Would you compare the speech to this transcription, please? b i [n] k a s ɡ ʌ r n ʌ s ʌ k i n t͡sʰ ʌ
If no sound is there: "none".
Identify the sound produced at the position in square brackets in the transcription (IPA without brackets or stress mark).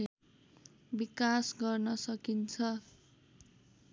none